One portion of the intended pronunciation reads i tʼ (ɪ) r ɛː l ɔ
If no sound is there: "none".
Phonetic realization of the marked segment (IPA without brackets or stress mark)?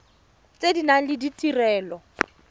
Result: i